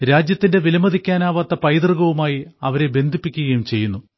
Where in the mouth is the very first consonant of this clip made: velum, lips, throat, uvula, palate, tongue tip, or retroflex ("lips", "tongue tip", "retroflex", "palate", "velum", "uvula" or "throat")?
tongue tip